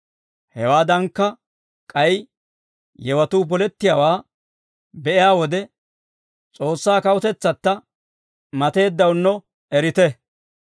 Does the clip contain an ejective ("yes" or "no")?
yes